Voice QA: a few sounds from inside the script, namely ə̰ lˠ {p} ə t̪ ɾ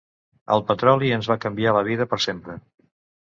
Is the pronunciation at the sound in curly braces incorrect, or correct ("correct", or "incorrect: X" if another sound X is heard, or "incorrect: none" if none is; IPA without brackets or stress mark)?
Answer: correct